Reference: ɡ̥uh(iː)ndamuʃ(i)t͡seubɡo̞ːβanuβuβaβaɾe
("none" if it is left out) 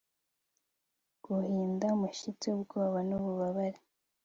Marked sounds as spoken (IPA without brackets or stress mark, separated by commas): iː, i